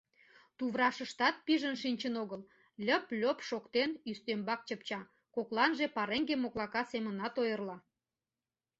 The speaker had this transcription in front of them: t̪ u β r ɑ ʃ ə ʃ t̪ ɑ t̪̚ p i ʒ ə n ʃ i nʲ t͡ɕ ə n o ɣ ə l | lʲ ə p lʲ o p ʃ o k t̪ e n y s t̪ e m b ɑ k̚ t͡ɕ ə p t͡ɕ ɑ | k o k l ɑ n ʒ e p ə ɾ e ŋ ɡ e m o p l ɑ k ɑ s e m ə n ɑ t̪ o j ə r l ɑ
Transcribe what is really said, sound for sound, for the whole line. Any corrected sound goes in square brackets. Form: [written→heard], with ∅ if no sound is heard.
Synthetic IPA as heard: t̪ u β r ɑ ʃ ə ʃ t̪ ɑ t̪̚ p i ʒ ə n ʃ i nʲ t͡ɕ ə n o ɣ ə l | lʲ ə p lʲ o p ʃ o k t̪ e n y s t̪ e m b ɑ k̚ t͡ɕ ə p t͡ɕ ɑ | k o k l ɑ n ʒ e p [ə→ɑ] ɾ e ŋ ɡ e m o [p→k] l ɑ k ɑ s e m ə n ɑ t̪ o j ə r l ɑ